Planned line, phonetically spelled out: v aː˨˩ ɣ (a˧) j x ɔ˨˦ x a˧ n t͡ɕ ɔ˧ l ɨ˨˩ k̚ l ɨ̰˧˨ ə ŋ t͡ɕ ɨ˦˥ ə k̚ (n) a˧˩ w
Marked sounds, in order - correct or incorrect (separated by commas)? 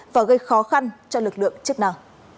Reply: incorrect, correct